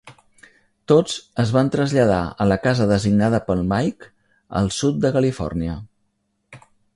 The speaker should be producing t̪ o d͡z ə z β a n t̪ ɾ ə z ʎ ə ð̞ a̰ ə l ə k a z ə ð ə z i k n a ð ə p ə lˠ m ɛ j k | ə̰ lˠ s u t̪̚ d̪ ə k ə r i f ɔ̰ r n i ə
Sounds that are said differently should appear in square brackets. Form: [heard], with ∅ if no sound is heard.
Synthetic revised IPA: t̪ o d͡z ə z β a n t̪ ɾ ə z ʎ ə ð̞ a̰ ə l ə k a z ə ð ə z i [ɡ] n a ð ə p ə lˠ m [a] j k | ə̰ lˠ s u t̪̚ d̪ ə k ə [l] i f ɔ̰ r n i ə